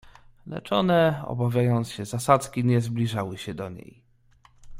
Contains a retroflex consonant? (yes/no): yes